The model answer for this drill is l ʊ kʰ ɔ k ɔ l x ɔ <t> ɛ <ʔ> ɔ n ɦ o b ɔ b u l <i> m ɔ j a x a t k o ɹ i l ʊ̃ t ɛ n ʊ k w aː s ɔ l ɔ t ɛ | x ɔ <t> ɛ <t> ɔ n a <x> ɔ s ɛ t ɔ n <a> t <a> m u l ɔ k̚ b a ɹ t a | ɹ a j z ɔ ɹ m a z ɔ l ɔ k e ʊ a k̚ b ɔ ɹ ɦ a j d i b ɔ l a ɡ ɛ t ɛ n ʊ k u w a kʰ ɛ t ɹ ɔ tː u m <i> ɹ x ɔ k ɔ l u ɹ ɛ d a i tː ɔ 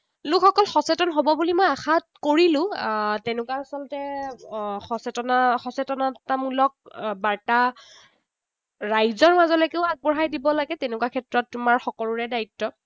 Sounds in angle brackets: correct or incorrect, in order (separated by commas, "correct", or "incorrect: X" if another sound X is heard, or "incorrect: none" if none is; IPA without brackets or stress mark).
incorrect: s, incorrect: t, correct, incorrect: s, correct, correct, correct, correct, incorrect: a